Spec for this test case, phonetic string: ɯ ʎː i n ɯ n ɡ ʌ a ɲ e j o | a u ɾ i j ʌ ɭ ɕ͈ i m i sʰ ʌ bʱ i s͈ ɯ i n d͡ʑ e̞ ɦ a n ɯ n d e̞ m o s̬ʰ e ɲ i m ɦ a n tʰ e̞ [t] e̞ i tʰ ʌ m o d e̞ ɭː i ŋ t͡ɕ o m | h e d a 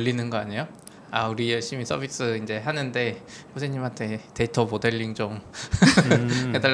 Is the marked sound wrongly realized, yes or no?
no